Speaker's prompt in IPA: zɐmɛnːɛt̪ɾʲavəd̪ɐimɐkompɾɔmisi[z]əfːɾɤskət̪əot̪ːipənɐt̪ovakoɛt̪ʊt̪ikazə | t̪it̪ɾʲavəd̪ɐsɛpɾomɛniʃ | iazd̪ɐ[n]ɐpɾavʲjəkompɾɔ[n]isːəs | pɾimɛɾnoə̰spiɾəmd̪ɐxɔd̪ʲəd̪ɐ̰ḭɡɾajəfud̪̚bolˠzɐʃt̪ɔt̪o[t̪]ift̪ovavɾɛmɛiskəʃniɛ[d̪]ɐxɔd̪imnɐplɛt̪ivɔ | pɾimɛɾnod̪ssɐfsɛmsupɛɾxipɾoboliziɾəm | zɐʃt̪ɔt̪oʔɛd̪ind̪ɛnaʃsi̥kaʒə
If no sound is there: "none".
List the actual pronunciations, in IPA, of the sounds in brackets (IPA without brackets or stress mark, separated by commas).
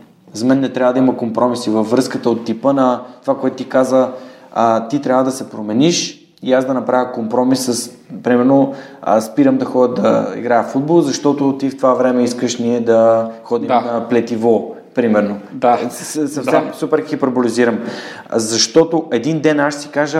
v, n, m, t̪, d̪